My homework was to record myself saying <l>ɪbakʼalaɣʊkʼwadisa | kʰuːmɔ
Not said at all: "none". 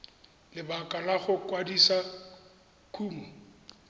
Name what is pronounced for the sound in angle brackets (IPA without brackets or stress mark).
l